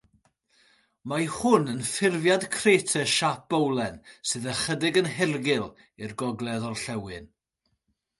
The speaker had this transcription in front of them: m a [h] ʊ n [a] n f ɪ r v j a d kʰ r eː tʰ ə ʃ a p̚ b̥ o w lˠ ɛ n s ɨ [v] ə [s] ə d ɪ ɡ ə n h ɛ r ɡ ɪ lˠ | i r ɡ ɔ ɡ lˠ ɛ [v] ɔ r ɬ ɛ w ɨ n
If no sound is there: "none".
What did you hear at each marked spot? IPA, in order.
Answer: h, ə, ð, χ, ð

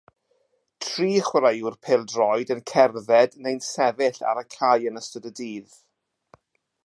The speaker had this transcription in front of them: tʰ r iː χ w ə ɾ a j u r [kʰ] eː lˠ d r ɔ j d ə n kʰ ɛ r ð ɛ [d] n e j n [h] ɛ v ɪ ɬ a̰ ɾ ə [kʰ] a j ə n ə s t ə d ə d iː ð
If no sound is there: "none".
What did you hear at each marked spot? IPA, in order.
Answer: pʰ, d, s, kʰ

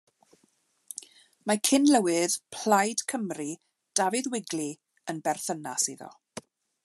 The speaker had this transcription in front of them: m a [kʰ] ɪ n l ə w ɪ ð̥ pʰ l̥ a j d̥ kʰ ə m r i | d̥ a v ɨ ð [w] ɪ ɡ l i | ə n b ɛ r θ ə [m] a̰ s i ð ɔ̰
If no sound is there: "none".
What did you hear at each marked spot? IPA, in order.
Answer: kʰ, w, n

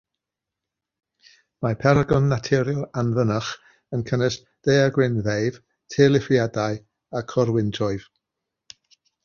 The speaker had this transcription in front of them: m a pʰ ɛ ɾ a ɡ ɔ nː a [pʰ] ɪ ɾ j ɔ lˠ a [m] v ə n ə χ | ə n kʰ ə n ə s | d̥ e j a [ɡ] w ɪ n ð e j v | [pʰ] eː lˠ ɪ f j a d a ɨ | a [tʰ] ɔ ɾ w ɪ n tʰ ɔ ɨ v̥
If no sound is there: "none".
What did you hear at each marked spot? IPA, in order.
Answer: tʰ, n, ɡ, tʰ, kʰ

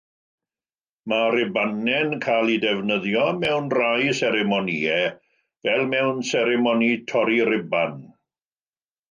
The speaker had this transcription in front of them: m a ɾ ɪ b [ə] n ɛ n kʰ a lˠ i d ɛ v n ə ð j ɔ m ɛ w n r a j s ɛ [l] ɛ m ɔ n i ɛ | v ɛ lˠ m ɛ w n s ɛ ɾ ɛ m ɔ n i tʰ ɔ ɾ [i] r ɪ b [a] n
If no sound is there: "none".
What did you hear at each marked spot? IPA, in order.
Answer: a, ɾ, i, a

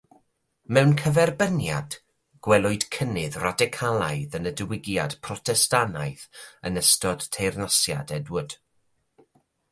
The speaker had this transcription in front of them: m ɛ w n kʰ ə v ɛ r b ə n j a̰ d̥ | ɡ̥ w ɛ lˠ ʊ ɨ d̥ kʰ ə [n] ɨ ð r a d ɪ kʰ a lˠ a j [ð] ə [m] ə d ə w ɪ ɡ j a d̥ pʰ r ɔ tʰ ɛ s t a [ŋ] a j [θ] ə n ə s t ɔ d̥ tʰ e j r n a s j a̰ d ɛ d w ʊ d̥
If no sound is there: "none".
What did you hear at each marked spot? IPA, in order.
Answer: n, ð, n, n, θ

